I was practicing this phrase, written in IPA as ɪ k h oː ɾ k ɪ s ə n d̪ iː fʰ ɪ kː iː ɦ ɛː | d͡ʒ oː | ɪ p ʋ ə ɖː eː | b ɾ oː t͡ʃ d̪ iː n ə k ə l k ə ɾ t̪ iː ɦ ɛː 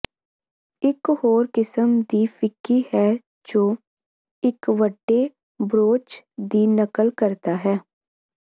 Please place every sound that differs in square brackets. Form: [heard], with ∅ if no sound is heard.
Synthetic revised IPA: ɪ k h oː ɾ k ɪ s ə [m] d̪ iː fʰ ɪ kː iː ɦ ɛː | d͡ʒ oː | ɪ [k] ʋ ə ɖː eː | b ɾ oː t͡ʃ d̪ iː n ə k ə l k ə ɾ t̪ [aː] ɦ ɛː